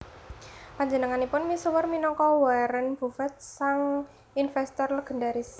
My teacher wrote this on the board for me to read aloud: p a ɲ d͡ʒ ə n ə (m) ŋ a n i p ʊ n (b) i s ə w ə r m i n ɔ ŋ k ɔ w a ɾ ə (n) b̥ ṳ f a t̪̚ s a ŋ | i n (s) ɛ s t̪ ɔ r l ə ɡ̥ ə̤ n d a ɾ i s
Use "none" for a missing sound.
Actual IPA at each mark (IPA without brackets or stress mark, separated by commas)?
none, m, n, f